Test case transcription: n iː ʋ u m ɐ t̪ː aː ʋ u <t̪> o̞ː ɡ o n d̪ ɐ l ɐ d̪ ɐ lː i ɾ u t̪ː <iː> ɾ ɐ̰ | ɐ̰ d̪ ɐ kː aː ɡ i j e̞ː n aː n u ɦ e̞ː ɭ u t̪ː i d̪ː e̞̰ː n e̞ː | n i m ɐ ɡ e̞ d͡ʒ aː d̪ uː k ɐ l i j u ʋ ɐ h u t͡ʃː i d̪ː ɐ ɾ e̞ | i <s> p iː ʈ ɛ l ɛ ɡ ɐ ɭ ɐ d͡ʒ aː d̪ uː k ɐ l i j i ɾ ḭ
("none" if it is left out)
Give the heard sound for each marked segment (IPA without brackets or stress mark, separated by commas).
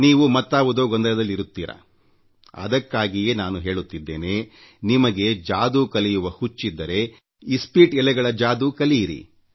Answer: d̪, iː, s